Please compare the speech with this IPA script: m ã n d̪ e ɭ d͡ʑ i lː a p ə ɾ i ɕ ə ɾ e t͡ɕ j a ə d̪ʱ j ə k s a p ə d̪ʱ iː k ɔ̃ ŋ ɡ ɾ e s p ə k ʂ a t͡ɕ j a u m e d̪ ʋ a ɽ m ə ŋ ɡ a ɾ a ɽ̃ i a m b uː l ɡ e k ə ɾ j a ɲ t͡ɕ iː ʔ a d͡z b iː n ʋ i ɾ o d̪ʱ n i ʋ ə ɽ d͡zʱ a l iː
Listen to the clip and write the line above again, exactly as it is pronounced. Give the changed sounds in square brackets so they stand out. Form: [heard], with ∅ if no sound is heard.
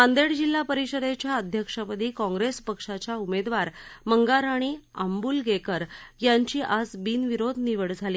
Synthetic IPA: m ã n d̪ e [ɽ] d͡ʑ i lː a p ə ɾ i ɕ ə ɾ e t͡ɕ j a ə d̪ʱ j ə k [ʂ] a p ə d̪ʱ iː k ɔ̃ ŋ ɡ ɾ e s p ə k ʂ a t͡ɕ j a u m e d̪ ʋ a [ɾ] m ə ŋ ɡ a ɾ a ɽ̃ i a m b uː l ɡ e k ə ɾ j a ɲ t͡ɕ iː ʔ a d͡z b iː n ʋ i ɾ o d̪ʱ n i ʋ ə ɽ d͡zʱ a l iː